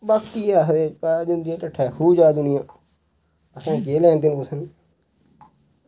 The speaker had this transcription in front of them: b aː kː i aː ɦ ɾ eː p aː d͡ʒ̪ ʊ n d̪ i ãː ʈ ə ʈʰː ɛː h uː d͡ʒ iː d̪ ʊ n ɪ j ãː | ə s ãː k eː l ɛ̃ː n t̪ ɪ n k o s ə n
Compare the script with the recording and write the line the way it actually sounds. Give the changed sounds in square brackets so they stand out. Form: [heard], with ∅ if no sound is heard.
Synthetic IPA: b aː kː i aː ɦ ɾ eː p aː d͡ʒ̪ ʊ n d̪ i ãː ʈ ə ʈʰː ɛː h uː d͡ʒ [aː] d̪ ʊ n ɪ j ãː | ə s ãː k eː l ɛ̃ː n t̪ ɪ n k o s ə n